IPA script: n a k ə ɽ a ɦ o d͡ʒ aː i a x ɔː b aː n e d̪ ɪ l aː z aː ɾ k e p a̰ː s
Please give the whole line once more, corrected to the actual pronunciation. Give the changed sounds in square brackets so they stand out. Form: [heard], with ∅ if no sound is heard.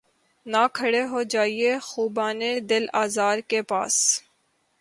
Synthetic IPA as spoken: n a [kʰ] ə ɽ [e] ɦ o d͡ʒ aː i [e] x [uː] b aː n e d̪ ɪ l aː z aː ɾ k e p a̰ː s